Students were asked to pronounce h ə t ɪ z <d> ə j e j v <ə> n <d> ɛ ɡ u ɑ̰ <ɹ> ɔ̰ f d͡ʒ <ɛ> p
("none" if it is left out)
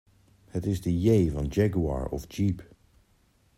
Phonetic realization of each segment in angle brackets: d, ɑ, d͡ʒ, ɹ, i

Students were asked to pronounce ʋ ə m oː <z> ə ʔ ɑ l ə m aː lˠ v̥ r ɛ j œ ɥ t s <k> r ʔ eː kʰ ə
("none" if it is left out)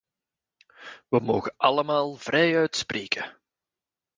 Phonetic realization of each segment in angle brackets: ɣ, p

